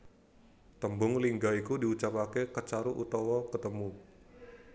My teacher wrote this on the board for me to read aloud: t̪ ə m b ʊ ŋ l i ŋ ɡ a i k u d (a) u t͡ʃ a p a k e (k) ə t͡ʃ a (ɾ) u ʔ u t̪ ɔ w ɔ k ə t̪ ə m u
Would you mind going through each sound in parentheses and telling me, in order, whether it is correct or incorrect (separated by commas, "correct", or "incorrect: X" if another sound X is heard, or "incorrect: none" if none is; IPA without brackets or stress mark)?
incorrect: i, correct, correct